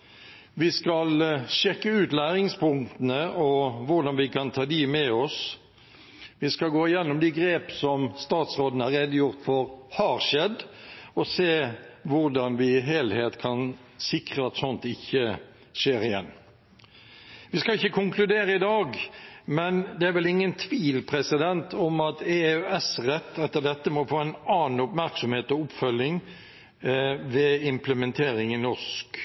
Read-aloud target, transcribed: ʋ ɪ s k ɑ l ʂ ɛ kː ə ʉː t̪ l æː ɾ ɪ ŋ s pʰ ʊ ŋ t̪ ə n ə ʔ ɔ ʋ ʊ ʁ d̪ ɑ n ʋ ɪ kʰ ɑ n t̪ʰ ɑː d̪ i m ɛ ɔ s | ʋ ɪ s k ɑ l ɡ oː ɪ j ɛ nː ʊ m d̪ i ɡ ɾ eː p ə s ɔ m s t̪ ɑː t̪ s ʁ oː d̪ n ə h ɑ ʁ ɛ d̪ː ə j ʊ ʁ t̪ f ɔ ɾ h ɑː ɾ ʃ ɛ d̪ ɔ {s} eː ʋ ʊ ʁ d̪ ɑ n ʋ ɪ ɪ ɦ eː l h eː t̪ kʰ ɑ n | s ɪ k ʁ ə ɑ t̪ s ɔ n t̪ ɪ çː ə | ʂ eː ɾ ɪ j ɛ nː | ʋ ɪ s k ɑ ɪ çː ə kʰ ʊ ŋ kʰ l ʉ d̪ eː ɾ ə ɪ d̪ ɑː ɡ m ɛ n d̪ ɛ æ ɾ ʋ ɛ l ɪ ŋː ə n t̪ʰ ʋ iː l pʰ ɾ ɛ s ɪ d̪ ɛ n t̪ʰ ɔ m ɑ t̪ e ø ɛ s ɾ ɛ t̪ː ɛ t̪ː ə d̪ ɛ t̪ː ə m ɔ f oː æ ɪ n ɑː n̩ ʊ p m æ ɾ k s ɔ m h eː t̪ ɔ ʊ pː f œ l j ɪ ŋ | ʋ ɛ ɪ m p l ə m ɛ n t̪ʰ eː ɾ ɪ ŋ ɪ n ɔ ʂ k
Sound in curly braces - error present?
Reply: no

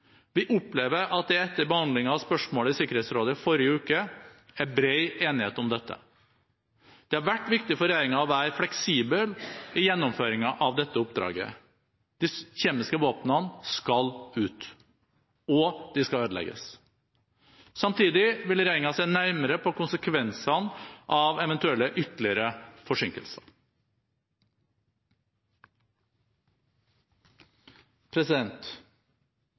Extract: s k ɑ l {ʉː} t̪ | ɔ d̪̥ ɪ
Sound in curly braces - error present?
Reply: no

